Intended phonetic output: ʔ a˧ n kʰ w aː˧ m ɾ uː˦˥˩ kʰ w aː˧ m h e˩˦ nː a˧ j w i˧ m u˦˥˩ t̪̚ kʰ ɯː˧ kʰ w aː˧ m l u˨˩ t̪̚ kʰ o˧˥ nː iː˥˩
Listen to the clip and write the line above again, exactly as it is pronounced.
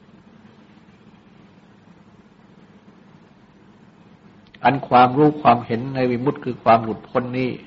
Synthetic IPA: ʔ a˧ n kʰ w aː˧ m ɾ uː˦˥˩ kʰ w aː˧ m h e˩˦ nː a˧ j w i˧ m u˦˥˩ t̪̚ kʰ ɯː˧ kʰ w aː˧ m l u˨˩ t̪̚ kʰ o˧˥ nː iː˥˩